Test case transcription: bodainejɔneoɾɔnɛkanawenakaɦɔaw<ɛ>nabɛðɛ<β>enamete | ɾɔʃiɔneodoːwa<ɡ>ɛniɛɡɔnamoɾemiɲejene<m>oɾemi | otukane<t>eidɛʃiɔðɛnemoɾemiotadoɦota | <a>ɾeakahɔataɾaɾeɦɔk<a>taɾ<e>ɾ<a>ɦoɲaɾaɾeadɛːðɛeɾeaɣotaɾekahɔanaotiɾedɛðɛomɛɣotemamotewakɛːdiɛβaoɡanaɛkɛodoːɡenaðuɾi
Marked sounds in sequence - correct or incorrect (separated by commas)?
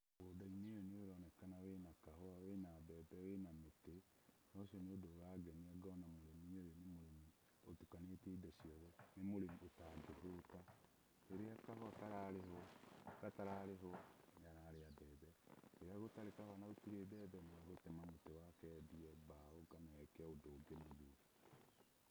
incorrect, incorrect, correct, correct, correct, incorrect, correct, incorrect, incorrect